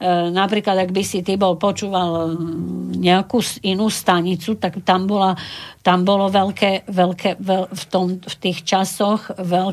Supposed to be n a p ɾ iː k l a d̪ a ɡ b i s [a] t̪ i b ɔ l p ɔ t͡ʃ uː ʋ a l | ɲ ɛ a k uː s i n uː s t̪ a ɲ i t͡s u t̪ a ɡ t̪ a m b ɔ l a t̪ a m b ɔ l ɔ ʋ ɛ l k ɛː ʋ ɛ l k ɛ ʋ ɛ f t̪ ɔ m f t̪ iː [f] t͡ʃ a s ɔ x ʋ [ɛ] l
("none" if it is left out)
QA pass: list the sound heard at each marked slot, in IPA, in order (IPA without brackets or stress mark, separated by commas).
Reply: i, x, ɛ